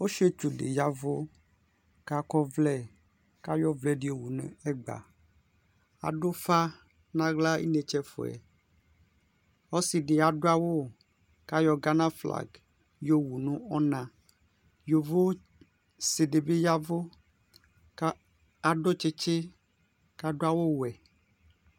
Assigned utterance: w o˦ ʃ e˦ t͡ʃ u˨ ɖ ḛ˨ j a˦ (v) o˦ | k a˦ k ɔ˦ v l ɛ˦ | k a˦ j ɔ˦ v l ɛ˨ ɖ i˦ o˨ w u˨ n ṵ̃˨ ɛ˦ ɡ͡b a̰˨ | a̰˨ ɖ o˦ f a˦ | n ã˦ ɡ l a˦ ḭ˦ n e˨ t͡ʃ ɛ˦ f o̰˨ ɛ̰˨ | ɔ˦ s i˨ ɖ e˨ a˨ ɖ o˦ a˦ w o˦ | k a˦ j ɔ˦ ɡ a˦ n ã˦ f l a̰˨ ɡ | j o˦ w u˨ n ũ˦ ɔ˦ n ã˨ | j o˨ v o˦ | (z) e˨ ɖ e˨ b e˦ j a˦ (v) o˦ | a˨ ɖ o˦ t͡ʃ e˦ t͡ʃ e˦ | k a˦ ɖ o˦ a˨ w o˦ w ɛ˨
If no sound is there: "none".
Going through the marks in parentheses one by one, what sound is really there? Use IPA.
v, s, v

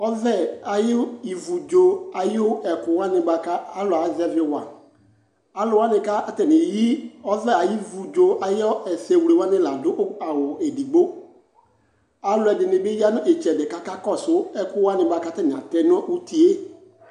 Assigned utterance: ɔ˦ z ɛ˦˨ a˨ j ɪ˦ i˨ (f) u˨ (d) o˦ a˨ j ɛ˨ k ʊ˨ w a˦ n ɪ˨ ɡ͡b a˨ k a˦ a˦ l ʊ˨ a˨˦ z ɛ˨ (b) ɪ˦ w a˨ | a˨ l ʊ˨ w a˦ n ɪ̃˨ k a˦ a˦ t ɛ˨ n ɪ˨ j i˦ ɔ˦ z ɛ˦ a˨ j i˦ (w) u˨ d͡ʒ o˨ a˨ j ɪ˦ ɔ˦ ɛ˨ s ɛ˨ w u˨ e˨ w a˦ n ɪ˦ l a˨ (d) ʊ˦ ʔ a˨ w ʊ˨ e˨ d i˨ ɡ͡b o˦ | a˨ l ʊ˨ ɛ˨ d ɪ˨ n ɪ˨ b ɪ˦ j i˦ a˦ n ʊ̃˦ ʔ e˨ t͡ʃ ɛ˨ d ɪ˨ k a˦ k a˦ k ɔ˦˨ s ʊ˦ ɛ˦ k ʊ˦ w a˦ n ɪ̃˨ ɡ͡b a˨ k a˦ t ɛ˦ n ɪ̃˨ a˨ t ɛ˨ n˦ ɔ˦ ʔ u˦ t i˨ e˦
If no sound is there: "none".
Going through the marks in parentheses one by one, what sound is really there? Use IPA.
v, d͡ʒ, v, v, d

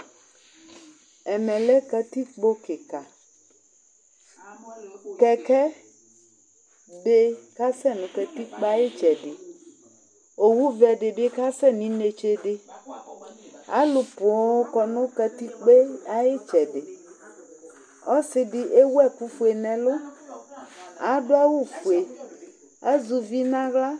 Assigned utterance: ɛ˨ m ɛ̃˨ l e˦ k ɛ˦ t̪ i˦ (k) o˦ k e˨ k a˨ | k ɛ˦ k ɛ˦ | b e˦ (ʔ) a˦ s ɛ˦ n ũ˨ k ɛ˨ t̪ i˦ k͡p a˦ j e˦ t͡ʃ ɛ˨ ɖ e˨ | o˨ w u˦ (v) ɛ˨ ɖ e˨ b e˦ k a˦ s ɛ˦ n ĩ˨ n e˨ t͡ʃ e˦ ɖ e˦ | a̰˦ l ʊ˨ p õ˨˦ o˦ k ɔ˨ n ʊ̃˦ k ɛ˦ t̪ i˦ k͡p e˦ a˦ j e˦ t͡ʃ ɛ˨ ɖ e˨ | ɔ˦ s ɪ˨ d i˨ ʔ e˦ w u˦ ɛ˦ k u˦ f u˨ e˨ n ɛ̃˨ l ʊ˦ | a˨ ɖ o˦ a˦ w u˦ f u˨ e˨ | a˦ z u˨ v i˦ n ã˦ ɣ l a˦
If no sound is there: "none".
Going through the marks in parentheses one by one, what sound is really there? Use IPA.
k͡p, k, v

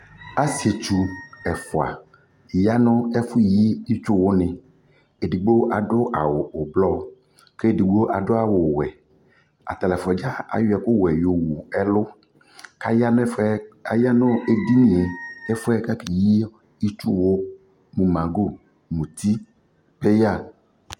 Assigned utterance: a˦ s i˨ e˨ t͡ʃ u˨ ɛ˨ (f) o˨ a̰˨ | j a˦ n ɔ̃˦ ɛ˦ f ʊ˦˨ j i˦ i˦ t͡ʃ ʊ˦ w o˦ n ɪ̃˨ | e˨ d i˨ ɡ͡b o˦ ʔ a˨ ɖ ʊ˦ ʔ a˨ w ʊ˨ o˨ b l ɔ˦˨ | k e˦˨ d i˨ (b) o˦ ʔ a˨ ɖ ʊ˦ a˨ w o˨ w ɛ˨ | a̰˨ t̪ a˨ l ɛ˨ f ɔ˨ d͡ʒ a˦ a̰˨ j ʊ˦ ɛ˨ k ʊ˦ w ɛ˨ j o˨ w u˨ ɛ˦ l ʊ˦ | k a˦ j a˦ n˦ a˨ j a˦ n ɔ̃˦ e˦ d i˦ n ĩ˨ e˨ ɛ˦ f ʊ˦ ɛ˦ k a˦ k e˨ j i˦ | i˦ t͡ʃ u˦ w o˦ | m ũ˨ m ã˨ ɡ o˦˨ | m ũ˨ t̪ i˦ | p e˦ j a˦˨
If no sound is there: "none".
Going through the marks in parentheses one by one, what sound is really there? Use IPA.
f, ɡ͡b

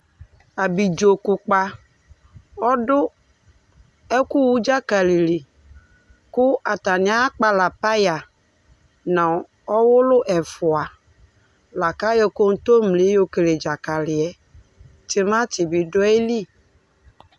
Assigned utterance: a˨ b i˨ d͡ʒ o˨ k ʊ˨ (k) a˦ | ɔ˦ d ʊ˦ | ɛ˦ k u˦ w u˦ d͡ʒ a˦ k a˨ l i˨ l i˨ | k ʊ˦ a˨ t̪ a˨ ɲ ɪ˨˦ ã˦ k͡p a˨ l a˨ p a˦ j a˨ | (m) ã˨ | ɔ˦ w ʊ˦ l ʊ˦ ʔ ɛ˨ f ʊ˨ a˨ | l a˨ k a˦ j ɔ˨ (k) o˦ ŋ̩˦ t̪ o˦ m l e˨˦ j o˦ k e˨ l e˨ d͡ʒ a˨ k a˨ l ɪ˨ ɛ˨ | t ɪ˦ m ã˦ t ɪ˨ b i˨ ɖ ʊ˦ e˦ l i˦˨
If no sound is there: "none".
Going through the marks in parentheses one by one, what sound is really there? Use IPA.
k͡p, n, k

